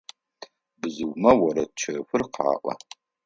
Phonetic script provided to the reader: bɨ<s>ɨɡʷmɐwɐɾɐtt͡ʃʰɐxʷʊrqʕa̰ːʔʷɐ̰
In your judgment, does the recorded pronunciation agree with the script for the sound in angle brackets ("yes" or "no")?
no